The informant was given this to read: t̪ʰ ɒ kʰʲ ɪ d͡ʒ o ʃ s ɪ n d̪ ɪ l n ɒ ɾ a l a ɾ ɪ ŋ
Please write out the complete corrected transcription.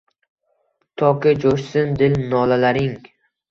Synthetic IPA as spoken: t̪ʰ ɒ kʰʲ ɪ d͡ʒ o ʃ s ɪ n d̪ ɪ l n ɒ l a l a ɾ ɪ ŋ